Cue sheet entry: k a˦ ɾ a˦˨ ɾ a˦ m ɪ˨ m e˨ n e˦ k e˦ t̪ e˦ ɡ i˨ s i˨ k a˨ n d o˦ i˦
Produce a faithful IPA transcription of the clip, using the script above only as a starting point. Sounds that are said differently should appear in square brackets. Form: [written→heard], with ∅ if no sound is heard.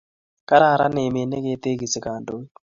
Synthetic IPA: k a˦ ɾ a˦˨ ɾ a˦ [m→n] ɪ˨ m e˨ n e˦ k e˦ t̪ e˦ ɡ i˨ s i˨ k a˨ n d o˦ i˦